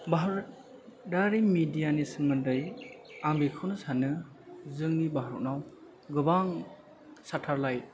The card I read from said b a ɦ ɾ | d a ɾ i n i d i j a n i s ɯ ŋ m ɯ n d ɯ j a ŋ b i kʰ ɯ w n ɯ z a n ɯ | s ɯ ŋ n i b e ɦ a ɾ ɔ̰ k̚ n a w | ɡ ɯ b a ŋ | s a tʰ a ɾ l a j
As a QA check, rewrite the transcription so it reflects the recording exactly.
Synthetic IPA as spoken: b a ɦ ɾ | d a ɾ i m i d i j a n i s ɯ ŋ m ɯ n d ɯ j a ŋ b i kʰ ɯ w n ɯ s a n ɯ | z ɯ ŋ n i b a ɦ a ɾ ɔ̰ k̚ n a w | ɡ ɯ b a ŋ | s a tʰ a ɾ l a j